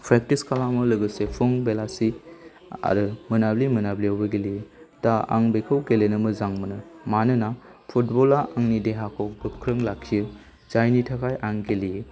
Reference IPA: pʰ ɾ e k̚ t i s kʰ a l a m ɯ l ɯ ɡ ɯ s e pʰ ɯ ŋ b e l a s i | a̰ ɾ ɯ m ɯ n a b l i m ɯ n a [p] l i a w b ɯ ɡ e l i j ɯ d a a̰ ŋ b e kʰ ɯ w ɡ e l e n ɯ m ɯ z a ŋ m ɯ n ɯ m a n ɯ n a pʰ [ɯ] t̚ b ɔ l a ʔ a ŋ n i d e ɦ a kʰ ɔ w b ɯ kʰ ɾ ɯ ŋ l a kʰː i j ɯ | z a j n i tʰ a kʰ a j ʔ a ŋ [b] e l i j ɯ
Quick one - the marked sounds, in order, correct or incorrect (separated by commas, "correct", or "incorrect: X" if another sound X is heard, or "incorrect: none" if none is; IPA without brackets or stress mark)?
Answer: incorrect: b, incorrect: u, incorrect: ɡ